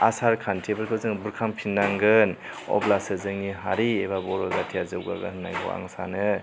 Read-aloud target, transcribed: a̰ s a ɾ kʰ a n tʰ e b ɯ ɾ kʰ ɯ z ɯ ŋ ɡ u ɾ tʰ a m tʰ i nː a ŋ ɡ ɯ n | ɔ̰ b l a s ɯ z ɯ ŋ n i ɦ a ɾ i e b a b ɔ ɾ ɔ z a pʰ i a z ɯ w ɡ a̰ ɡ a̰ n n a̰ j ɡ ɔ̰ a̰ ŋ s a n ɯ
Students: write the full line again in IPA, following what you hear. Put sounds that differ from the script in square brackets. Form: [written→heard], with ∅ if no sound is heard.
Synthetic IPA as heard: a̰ s a ɾ kʰ a n tʰ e b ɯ ɾ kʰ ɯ z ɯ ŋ [ɡ→b] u ɾ [tʰ→kʰ] a m [tʰ→pʰ] i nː a ŋ ɡ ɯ n | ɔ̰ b l a s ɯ z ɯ ŋ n i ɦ a ɾ i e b a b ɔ ɾ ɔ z a [pʰ→tʰ] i a z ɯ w ɡ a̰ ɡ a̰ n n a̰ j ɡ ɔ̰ a̰ ŋ s a n ɯ